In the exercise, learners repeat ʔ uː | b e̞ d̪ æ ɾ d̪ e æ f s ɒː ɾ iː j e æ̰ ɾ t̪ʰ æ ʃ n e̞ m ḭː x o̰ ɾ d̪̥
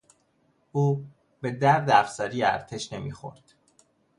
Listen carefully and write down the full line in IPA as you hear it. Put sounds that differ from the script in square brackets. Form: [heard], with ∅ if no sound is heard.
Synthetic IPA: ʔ uː | b e̞ d̪ æ ɾ d̪ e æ f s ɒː ɾ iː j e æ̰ ɾ t̪ʰ [e] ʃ n e̞ m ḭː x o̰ ɾ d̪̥